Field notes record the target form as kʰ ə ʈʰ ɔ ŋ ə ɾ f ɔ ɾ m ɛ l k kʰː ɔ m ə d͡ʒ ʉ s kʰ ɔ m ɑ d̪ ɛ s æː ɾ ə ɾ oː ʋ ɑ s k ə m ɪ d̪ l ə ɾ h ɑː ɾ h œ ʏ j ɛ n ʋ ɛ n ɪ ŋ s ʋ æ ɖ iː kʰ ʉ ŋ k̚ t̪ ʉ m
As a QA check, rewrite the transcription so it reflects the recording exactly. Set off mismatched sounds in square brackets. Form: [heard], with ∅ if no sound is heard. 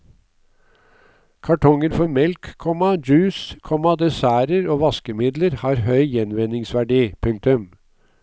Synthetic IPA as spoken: kʰ [ɑ] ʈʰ ɔ ŋ ə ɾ f ɔ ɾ m ɛ l k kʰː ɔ m [ɑ] d͡ʒ [ʉː] s kʰ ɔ m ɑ d̪ ɛ s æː ɾ ə ɾ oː ʋ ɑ s k ə m ɪ d̪ l ə ɾ h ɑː ɾ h œ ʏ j ɛ n ʋ ɛ n ɪ ŋ s ʋ æ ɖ iː [pʰ] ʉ ŋ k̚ t̪ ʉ m